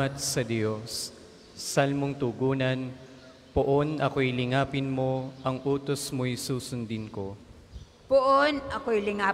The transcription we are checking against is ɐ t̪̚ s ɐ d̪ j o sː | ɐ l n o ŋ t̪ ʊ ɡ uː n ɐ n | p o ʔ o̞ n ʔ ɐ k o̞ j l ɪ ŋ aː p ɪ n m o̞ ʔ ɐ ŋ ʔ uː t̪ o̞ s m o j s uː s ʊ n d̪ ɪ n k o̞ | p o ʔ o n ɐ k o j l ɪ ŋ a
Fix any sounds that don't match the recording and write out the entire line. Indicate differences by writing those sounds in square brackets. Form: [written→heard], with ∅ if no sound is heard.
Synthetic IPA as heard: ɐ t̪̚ s ɐ d̪ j o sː | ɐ l [n→m] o ŋ t̪ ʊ ɡ uː n ɐ n | p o ʔ o̞ n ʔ ɐ k o̞ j l ɪ ŋ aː p ɪ n m o̞ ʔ ɐ ŋ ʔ uː t̪ o̞ s m o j s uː s ʊ n d̪ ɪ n k o̞ | p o ʔ o n ɐ k o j l ɪ ŋ a